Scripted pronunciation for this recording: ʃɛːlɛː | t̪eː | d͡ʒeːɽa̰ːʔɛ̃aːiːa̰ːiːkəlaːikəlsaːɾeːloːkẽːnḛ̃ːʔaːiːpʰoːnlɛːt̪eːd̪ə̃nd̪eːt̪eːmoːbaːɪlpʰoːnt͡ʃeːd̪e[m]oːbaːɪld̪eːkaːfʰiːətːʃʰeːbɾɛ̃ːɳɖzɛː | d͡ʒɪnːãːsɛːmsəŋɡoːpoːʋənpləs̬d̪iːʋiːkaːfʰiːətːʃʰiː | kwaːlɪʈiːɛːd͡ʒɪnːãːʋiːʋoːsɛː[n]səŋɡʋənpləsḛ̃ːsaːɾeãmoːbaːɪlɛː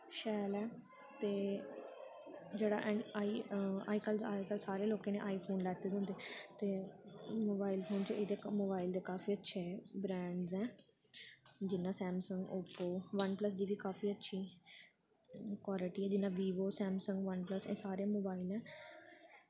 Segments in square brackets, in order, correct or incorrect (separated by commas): correct, incorrect